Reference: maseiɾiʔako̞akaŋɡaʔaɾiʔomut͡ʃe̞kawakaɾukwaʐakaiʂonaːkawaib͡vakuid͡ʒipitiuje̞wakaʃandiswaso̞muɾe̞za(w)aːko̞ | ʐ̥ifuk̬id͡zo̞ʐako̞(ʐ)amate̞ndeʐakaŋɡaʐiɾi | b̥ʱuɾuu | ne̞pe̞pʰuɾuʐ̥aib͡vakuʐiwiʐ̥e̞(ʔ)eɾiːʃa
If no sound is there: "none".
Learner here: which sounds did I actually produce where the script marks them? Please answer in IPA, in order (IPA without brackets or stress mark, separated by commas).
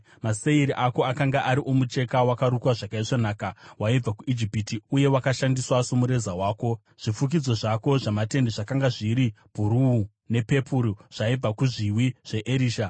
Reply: w, ʐ, ʔ